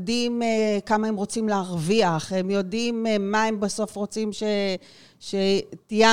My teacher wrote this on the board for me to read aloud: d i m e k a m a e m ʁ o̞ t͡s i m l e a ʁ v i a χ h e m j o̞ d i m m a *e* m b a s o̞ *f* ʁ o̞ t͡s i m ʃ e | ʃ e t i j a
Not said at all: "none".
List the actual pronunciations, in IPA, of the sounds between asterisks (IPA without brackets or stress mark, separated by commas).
e, f